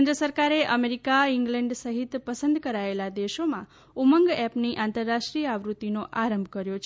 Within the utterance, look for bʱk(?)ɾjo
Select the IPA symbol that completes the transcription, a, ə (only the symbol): ə